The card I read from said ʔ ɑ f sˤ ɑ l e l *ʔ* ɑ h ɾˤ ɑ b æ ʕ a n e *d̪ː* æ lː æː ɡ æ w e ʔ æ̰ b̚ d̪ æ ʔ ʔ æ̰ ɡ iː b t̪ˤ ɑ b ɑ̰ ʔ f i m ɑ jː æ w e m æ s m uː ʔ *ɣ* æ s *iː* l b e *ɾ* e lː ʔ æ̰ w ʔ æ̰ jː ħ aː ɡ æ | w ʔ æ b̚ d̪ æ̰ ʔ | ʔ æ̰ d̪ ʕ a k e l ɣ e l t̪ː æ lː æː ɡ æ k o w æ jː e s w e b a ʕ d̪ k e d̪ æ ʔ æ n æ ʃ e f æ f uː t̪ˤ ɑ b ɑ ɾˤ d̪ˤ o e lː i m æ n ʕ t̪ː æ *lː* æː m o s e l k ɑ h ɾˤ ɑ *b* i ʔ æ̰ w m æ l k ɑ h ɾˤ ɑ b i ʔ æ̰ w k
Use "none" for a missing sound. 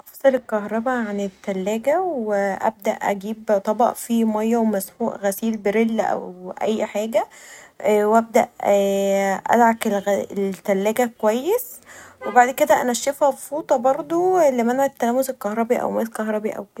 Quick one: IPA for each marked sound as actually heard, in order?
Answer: k, t̪ː, ɣ, iː, ɾ, l, b

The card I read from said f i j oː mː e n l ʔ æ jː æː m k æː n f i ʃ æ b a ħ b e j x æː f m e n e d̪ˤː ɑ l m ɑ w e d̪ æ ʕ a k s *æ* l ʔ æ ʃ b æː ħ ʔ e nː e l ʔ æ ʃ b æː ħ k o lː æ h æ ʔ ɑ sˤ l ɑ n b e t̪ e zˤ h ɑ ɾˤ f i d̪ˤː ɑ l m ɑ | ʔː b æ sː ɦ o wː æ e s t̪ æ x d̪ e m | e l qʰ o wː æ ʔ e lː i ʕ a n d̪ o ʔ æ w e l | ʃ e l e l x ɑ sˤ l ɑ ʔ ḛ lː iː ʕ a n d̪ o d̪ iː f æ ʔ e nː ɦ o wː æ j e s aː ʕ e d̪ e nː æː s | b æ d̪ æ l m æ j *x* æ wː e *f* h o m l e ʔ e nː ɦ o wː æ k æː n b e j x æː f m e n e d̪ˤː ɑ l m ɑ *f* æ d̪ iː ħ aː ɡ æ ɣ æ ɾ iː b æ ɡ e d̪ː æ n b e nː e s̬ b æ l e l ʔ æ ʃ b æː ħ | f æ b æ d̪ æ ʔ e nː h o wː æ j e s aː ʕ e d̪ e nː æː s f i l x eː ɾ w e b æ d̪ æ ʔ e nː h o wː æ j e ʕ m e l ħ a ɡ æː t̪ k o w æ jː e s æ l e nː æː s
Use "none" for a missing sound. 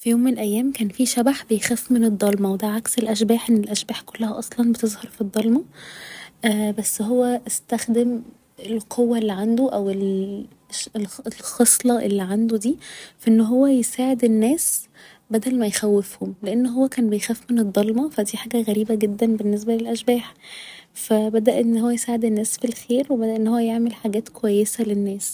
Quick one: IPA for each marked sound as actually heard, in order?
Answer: e, x, f, f

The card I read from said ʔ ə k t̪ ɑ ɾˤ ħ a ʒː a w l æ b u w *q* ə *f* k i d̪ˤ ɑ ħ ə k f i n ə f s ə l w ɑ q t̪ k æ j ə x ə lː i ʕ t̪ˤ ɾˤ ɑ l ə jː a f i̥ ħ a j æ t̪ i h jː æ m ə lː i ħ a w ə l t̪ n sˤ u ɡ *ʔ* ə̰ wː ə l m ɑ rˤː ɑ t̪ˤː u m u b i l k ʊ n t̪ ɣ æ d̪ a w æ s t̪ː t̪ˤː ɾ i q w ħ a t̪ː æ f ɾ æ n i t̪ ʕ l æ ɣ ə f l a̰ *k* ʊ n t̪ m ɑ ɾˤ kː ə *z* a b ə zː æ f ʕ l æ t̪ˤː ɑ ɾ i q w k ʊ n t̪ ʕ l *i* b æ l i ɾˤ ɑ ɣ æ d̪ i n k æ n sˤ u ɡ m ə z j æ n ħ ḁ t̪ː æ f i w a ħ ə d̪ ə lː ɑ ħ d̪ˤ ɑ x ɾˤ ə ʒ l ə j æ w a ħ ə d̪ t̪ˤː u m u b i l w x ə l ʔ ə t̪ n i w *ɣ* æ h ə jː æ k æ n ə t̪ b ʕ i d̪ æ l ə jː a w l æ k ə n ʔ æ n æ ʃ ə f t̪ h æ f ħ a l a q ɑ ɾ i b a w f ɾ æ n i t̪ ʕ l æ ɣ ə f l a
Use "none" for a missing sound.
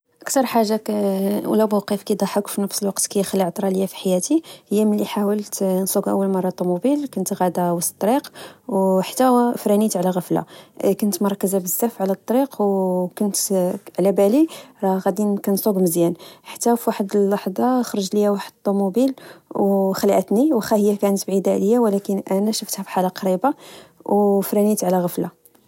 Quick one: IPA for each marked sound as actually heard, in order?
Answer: q, f, ʔ, k, z, æ, x

